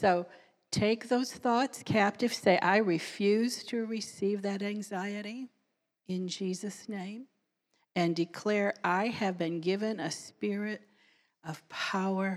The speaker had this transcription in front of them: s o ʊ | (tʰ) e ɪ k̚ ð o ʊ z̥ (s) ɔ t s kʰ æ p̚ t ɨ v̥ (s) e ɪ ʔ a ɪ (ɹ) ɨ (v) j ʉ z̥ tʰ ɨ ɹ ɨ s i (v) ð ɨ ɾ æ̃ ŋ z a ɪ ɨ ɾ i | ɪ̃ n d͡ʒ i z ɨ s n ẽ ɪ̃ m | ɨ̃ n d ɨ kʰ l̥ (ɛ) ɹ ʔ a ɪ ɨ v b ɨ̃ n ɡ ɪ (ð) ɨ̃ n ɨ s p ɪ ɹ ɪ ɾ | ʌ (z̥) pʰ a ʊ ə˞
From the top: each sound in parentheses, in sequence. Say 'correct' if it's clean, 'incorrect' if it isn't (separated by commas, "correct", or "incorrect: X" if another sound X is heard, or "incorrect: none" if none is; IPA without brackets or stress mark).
correct, incorrect: θ, correct, correct, incorrect: f, correct, correct, incorrect: v, incorrect: v̥